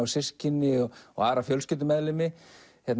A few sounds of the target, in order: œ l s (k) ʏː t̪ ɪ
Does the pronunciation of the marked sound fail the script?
yes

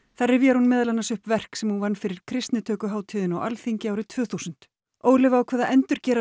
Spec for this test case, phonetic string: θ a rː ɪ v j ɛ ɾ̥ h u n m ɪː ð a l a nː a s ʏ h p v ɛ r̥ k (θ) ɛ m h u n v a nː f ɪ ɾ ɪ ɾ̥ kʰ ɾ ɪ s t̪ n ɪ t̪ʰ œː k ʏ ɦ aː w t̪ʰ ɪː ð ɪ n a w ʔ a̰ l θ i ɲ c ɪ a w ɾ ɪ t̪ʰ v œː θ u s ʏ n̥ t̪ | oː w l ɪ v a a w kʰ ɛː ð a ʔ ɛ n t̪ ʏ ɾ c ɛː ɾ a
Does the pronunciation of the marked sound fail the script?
yes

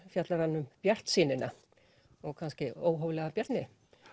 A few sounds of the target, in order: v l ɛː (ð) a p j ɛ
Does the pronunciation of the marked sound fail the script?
yes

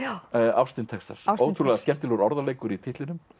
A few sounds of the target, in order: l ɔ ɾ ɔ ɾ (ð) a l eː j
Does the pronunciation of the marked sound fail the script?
no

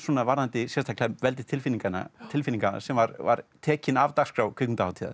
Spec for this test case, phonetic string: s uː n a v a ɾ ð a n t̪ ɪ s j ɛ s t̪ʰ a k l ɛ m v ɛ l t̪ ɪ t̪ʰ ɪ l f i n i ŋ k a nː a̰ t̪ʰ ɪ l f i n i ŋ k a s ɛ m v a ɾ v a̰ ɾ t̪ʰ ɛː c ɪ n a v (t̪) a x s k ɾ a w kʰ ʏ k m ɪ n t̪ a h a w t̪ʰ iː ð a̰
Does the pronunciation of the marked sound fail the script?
no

